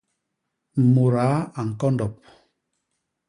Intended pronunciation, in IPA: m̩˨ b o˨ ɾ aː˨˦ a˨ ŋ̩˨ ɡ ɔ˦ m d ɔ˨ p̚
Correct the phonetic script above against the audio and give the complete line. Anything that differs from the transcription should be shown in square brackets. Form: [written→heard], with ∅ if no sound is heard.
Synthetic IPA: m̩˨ [b→m] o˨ ɾ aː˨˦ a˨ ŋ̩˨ [ɡ→k] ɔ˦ [m→n] d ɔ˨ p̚